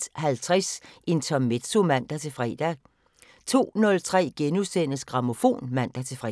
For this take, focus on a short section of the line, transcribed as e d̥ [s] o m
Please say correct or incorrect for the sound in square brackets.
correct